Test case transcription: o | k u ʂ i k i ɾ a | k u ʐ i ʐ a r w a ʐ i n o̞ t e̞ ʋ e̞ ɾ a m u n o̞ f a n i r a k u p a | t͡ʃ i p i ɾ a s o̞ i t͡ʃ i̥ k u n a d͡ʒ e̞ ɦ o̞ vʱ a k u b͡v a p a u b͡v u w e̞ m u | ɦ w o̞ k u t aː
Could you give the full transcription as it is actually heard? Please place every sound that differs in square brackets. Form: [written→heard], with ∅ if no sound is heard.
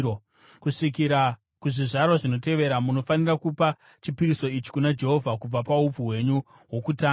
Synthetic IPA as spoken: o | k u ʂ i k i ɾ a | k u ʐ i ʐ a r w a ʐ i n o̞ t e̞ ʋ e̞ ɾ a m u n o̞ f a n i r a k u p a | t͡ʃ i p i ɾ [a→i] s o̞ i t͡ʃ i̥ k u n a d͡ʒ e̞ ɦ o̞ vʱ a k u b͡v a p a u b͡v u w e̞ [m→ɲ] u | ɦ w o̞ k u t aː